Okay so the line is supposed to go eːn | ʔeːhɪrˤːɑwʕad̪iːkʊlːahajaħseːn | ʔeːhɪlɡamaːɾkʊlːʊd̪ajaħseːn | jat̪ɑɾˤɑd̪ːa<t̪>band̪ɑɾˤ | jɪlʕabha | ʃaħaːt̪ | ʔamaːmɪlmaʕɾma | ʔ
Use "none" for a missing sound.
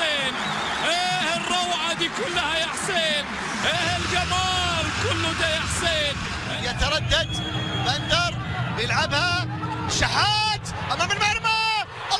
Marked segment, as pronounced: d̪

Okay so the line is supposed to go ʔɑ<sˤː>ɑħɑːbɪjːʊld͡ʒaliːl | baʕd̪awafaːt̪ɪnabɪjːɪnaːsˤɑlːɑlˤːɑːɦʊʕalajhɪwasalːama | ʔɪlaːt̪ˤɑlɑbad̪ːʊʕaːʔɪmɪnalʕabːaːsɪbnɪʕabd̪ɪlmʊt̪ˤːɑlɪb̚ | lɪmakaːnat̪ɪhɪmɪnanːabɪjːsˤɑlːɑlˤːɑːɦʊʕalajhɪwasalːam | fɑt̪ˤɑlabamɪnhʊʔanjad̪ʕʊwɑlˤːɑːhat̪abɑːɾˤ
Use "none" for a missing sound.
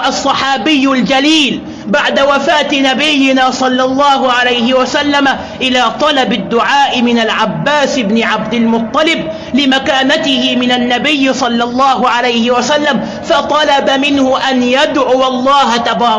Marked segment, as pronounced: sˤː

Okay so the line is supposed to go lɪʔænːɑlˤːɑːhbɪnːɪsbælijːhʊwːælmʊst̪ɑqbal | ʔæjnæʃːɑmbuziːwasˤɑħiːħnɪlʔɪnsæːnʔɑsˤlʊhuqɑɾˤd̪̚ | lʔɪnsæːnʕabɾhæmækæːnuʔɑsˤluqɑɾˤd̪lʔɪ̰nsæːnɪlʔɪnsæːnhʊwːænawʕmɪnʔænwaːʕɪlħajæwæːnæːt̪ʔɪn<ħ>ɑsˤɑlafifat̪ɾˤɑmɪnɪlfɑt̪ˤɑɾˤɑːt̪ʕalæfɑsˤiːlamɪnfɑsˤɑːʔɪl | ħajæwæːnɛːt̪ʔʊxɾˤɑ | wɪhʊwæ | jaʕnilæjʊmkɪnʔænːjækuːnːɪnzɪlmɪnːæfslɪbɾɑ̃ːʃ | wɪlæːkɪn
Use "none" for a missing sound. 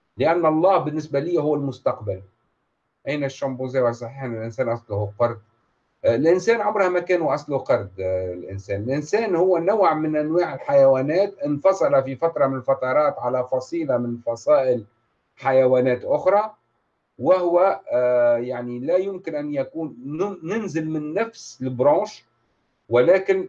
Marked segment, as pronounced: f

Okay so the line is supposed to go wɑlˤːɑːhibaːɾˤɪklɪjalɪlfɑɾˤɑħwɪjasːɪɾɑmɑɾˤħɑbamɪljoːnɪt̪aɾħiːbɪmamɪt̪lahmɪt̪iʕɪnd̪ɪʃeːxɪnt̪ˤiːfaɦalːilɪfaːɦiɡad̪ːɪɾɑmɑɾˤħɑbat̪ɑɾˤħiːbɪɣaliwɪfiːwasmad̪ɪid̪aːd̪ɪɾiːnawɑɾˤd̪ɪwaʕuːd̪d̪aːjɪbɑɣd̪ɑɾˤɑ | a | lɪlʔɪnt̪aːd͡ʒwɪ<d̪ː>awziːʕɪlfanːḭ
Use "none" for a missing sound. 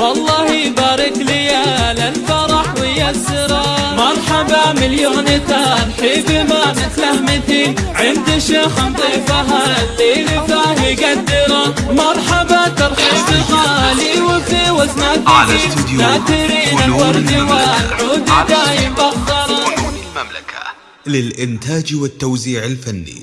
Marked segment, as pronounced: t̪ː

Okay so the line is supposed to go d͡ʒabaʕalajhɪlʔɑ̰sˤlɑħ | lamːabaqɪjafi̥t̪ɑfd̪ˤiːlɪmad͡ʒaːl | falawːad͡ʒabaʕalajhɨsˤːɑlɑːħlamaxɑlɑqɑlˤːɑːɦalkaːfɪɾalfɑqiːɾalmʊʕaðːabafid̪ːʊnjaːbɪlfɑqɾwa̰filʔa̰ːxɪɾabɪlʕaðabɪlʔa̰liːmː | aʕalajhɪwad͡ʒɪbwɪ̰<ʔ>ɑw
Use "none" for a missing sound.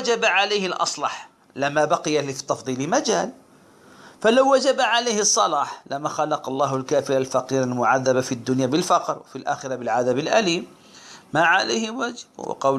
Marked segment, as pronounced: q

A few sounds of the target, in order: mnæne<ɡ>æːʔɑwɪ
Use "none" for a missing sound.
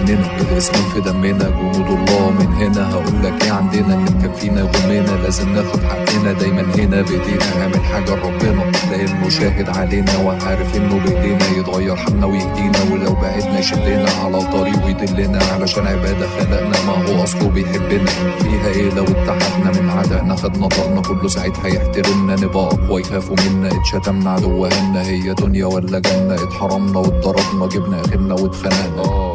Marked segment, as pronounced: b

